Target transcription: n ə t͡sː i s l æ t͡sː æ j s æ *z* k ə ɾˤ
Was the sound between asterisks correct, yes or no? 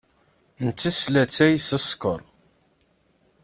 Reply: no